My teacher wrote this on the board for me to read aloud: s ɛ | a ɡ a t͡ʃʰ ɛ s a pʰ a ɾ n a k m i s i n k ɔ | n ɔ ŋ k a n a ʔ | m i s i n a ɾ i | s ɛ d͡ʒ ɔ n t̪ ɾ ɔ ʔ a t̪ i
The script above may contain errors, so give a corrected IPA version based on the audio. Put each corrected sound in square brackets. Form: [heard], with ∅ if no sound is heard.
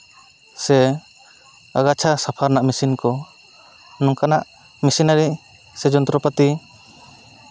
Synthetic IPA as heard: s ɛ | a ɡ a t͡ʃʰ [a] s a pʰ a ɾ n a [ʔ] m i s i n k ɔ | n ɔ ŋ k a n a ʔ | m i s i n a ɾ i | s ɛ d͡ʒ ɔ n t̪ ɾ ɔ [p] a t̪ i

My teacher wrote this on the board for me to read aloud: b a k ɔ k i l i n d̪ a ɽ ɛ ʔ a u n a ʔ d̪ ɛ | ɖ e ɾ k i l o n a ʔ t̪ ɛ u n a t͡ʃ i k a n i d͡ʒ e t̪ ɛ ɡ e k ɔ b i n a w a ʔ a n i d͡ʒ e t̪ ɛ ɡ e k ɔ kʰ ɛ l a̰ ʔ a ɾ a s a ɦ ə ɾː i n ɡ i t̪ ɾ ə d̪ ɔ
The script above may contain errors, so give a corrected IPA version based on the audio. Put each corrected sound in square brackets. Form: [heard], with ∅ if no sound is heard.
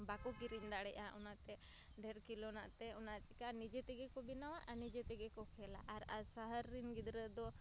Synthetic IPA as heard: b a k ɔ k i [ɾ] i n d̪ a ɽ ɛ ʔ a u n a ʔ [t̪] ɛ | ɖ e ɾ k i l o n a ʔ t̪ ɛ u n a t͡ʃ i k a n i d͡ʒ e t̪ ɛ ɡ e k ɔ b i n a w a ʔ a n i d͡ʒ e t̪ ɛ ɡ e k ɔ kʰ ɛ l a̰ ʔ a ɾ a s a ɦ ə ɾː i n ɡ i [d̪] ɾ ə d̪ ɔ

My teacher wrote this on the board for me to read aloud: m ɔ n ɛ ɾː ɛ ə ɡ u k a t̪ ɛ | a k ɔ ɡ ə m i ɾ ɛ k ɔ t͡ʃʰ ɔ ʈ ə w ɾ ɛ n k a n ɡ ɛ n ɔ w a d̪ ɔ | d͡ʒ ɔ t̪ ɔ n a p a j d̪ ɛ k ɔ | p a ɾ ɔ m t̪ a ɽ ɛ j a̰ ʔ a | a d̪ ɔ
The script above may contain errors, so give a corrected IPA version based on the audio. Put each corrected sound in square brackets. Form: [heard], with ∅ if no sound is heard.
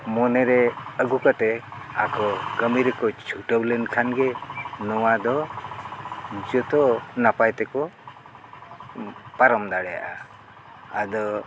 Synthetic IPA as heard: m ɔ n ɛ [ɾ] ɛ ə ɡ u k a t̪ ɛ | a k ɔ ɡ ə m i ɾ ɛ k ɔ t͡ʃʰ [u] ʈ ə w [l] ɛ n [kʰ] a n ɡ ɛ n ɔ w a d̪ ɔ | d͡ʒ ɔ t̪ ɔ n a p a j [t̪] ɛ k ɔ | p a ɾ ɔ m [d̪] a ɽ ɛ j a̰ ʔ a | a d̪ ɔ

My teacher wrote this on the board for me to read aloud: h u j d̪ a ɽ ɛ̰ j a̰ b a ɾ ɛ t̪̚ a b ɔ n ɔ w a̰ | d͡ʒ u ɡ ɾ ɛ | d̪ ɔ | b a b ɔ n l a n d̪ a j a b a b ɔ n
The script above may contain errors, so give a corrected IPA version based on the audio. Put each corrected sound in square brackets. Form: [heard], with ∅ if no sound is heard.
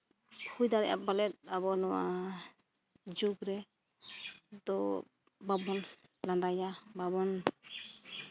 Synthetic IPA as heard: h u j d̪ a [ɾ] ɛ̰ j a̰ b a [l] ɛ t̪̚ a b ɔ n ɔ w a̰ | d͡ʒ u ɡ ɾ ɛ | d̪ ɔ | b a b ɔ n l a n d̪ a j a b a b ɔ n

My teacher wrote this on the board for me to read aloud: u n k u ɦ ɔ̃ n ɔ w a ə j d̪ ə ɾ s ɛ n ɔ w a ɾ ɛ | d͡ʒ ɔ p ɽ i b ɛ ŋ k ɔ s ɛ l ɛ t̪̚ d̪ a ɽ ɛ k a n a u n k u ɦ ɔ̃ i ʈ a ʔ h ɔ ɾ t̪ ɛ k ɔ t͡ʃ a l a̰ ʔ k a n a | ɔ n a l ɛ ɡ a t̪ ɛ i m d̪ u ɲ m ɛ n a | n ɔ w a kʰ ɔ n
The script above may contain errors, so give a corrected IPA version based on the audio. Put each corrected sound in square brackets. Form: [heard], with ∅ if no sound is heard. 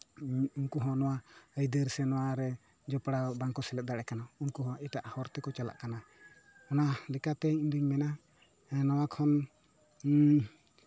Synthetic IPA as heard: u n k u ɦ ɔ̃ n ɔ w a ə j d̪ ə ɾ s ɛ n ɔ w a ɾ ɛ | d͡ʒ ɔ p ɽ [a] b [a] ŋ k ɔ s ɛ l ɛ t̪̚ d̪ a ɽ ɛ k a n a u n k u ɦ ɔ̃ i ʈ a ʔ h ɔ ɾ t̪ ɛ k ɔ t͡ʃ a l a̰ ʔ k a n a | ɔ n a l ɛ [k] a t̪ ɛ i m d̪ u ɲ m ɛ n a | n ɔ w a kʰ ɔ n

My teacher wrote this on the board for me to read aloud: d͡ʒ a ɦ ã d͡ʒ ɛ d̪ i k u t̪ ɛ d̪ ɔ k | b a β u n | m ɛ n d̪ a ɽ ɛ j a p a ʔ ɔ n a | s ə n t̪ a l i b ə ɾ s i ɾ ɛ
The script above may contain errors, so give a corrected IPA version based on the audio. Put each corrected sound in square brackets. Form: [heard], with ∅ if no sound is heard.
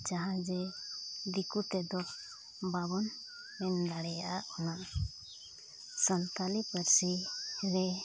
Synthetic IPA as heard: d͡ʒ a ɦ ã d͡ʒ ɛ d̪ i k u t̪ ɛ d̪ ɔ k | b a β [ɔ] n | m ɛ n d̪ a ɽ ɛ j a [ʔ] a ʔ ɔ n a | s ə n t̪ a l i [p] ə ɾ s i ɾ ɛ

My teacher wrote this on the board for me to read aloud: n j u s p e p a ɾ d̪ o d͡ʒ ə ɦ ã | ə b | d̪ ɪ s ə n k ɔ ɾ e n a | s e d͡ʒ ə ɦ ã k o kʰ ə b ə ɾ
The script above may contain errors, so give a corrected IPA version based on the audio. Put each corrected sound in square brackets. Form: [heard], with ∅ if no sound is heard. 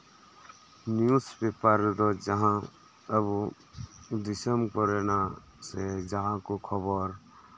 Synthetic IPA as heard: n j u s p e p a ɾ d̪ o d͡ʒ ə ɦ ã | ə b | d̪ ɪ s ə [m] k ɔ ɾ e n a | s e d͡ʒ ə ɦ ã k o kʰ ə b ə ɾ

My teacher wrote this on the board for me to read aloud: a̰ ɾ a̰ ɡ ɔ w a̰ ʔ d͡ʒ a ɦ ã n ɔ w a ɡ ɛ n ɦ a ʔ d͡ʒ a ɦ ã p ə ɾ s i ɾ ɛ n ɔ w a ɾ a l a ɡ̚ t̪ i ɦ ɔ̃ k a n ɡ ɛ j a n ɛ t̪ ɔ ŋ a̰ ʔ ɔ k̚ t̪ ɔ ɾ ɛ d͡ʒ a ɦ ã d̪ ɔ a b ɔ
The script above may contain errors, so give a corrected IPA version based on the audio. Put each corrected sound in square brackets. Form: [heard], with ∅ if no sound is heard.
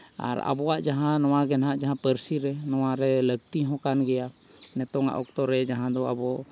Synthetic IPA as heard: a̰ ɾ a̰ [b] ɔ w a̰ ʔ d͡ʒ a ɦ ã n ɔ w a ɡ ɛ n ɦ a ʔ d͡ʒ a ɦ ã p ə ɾ s i ɾ ɛ n ɔ w a ɾ [ɛ] l [ə] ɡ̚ t̪ i ɦ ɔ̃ k a n ɡ ɛ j a n ɛ t̪ ɔ ŋ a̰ ʔ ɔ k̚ t̪ ɔ ɾ ɛ d͡ʒ a ɦ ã d̪ ɔ a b ɔ

